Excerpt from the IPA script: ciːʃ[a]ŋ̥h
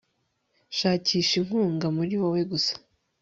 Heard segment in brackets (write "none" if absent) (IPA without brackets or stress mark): i